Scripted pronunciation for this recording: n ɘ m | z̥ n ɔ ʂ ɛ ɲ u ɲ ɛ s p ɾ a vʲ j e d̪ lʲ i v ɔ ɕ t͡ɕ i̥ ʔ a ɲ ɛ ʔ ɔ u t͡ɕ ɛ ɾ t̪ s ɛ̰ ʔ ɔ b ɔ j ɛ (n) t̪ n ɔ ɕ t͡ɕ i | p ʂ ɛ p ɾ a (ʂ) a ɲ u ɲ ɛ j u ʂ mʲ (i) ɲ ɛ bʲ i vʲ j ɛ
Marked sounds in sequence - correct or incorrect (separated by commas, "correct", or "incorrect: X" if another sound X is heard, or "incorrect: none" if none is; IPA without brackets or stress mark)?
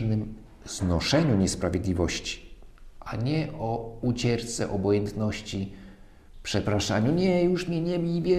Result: correct, correct, incorrect: ɛ